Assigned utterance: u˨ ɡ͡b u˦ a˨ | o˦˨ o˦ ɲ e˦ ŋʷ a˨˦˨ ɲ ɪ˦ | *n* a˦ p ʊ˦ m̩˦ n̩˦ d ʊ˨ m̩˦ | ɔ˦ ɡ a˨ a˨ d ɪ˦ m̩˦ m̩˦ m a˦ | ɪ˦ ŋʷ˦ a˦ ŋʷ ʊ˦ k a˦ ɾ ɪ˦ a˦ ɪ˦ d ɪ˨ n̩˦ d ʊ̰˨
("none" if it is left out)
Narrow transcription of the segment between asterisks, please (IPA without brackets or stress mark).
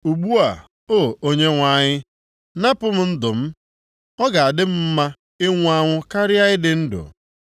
n